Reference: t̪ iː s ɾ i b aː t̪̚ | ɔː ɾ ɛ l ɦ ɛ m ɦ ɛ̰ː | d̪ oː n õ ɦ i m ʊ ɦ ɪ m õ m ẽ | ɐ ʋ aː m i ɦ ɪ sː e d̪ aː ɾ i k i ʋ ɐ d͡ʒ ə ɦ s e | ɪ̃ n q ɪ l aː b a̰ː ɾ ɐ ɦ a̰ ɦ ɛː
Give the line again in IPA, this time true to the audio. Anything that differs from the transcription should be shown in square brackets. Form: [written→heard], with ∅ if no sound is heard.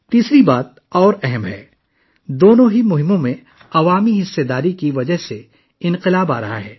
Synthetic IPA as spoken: t̪ iː s ɾ i b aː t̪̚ | ɔː ɾ ɛ [l→∅] ɦ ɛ m ɦ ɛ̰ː | d̪ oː n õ ɦ i m ʊ ɦ ɪ m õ m ẽ | ɐ ʋ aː m i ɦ ɪ sː e d̪ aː ɾ i k i ʋ ɐ d͡ʒ ə ɦ s e | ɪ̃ n q ɪ l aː b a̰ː ɾ ɐ ɦ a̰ ɦ ɛː